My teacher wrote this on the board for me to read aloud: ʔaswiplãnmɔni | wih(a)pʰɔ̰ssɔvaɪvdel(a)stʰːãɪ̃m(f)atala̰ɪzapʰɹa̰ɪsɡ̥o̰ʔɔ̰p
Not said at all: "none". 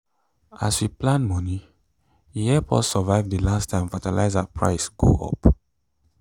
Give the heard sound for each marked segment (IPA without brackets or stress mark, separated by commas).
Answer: ɛ, a, f